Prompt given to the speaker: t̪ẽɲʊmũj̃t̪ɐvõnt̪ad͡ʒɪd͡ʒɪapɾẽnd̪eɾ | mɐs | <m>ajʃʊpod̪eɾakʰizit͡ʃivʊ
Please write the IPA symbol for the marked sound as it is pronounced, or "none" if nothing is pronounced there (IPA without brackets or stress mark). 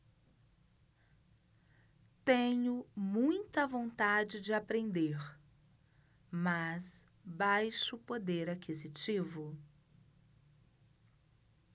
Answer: b